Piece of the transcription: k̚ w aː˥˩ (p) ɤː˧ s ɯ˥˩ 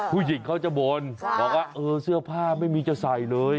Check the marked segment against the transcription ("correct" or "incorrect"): incorrect